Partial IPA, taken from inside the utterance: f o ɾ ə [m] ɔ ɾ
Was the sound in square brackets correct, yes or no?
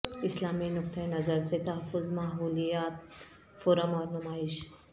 yes